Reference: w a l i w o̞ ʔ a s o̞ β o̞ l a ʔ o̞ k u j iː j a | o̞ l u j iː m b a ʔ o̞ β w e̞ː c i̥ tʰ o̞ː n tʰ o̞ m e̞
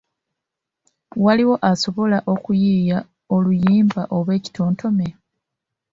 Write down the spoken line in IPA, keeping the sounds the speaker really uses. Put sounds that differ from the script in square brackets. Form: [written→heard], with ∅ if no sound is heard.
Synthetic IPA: w a l i w o̞ ʔ a s o̞ β o̞ l a ʔ o̞ k u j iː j a | o̞ l u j iː m b a ʔ o̞ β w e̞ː c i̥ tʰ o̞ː n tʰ o̞ m e̞